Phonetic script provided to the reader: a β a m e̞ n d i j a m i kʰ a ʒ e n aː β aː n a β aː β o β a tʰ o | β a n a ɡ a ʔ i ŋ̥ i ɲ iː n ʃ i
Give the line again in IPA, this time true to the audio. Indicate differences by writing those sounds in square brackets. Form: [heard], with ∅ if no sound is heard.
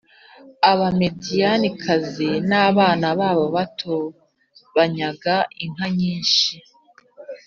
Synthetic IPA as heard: a β a m e̞ [∅] d i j a [n] i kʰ a [z] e n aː β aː n a β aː β o β a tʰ o | β a [ɲ] a ɡ a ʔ i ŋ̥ [a] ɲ iː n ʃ i